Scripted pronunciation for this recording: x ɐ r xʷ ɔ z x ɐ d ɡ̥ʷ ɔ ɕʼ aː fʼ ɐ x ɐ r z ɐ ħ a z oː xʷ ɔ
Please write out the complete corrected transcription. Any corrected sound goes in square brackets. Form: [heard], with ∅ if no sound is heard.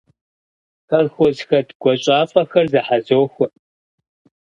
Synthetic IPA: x ɐ r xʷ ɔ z x ɐ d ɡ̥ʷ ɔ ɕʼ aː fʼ ɐ x ɐ r z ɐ ħ a z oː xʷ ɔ